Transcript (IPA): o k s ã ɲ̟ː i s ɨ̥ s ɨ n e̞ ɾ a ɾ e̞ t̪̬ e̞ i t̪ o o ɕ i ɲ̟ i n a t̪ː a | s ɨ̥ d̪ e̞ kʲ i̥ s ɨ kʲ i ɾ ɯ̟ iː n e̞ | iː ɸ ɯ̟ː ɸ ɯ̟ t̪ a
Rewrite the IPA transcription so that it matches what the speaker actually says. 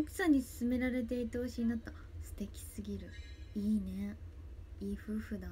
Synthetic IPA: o k s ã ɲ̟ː i s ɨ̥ s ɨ m e̞ ɾ a ɾ e̞ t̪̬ e̞ i t̪ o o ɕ i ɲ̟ i n a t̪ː a | s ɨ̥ t̪ e̞ kʲ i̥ s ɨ ɡʲ i ɾ ɯ̟ iː n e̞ | iː ɸ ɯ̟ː ɸ ɯ̟ d̪ a